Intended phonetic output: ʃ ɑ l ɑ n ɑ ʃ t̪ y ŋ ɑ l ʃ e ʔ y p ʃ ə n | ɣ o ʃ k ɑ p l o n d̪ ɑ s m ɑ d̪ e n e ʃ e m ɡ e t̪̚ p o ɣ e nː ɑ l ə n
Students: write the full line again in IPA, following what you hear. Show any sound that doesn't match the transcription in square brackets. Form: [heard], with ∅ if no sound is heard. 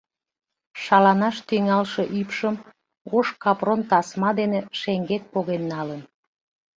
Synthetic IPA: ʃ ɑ l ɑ n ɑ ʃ t̪ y ŋ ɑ l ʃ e ʔ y p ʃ ə [m] | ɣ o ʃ k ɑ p [r] o n [t̪] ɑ s m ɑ d̪ e n e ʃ e [ŋ] ɡ e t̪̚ p o ɣ e nː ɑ l ə n